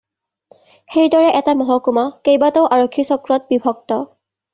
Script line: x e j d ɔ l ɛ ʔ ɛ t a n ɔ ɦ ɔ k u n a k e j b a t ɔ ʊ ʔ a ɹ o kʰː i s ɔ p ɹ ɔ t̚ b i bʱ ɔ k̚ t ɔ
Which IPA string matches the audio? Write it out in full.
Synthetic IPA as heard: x e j d ɔ ɹ ɛ ʔ ɛ t a m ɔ ɦ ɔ k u m a k e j b a t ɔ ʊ ʔ a ɹ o kʰː i s ɔ k ɹ ɔ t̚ b i bʱ ɔ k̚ t ɔ